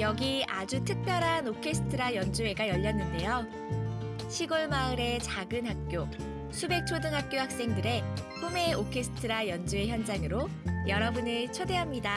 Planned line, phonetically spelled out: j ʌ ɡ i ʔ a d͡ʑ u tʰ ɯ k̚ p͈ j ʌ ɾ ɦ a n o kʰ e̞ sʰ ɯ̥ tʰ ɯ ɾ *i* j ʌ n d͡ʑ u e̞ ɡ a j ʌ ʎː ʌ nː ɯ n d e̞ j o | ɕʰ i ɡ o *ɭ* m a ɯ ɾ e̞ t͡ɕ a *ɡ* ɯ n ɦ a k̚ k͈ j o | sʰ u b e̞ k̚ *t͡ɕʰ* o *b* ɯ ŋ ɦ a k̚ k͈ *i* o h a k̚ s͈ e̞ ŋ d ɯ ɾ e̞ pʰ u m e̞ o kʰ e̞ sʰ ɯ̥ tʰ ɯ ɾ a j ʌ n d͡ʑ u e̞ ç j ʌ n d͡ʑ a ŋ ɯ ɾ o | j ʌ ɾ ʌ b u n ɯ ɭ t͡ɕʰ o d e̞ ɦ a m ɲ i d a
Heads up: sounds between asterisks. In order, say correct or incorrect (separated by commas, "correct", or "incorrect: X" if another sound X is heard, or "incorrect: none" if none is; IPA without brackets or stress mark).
incorrect: a, correct, correct, correct, incorrect: d, incorrect: j